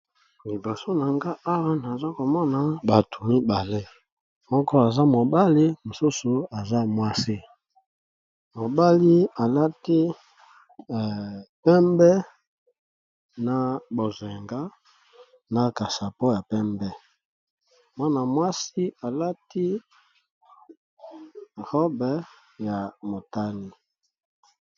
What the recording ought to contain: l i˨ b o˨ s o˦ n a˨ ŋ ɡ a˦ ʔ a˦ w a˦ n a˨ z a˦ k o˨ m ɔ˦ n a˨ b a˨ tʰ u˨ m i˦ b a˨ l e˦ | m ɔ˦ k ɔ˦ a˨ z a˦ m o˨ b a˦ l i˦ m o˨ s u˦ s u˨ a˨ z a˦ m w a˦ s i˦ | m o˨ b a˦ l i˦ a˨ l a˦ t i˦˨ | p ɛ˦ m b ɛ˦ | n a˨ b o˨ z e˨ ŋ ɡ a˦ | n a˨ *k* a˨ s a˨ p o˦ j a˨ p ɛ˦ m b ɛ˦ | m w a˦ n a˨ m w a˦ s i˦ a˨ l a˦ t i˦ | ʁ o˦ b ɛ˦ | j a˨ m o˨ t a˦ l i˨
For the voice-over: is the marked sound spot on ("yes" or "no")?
yes